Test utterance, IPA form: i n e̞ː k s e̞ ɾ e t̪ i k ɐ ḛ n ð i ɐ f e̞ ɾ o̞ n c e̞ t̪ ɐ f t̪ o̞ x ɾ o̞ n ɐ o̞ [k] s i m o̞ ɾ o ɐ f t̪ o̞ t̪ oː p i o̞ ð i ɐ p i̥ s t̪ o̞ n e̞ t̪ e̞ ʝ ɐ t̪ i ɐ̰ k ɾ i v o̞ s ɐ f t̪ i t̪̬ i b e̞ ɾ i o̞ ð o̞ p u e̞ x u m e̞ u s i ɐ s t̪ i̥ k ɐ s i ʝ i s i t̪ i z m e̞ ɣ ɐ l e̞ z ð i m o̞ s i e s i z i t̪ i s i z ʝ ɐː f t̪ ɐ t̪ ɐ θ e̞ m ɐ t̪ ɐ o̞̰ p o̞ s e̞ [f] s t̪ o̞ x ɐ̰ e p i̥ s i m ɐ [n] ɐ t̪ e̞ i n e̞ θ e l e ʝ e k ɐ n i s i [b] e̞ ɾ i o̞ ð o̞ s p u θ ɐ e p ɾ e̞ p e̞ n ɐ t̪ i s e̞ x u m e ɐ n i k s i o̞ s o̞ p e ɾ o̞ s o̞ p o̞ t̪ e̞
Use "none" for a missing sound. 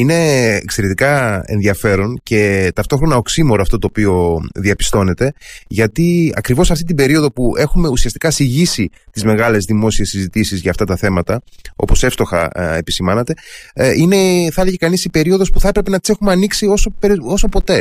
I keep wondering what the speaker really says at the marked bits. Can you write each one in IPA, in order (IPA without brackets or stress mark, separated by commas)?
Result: k, f, n, p